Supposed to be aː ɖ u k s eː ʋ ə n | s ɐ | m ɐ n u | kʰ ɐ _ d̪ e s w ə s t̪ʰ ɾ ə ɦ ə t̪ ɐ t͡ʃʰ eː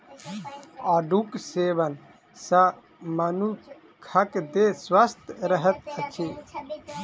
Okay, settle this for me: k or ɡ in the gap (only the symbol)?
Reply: k